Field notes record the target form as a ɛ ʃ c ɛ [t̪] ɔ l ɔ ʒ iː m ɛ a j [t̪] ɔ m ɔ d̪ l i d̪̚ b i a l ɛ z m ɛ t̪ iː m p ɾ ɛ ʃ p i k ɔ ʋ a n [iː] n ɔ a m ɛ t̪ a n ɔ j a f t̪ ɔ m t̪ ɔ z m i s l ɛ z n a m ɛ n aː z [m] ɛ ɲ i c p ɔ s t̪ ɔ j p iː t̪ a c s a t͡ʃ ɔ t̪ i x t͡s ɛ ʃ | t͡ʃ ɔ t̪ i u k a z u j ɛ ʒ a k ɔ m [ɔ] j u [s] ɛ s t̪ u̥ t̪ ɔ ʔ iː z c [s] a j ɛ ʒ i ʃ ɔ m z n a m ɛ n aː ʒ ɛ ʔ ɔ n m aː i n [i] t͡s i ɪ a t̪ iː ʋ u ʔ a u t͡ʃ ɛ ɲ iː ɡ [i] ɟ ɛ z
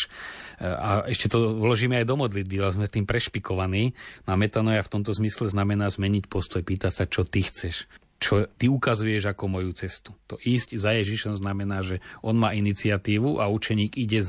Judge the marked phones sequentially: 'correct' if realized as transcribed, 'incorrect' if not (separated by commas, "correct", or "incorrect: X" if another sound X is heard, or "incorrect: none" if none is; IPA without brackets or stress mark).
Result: correct, incorrect: d̪, correct, correct, correct, incorrect: t͡s, incorrect: z, correct, correct